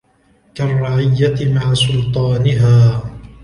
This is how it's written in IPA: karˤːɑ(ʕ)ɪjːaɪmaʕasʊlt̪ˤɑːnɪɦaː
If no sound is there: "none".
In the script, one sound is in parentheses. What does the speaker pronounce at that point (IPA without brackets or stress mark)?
ʕ